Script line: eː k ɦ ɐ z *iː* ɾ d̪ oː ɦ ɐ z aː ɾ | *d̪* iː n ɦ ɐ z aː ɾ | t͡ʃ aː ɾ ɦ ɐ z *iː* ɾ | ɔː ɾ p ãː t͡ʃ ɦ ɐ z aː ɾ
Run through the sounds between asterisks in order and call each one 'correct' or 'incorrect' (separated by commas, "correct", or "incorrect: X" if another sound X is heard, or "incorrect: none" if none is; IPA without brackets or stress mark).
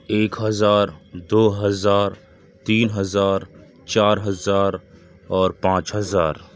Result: incorrect: aː, incorrect: t̪, incorrect: aː